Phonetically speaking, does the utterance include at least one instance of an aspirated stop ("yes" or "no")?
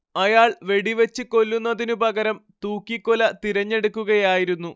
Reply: no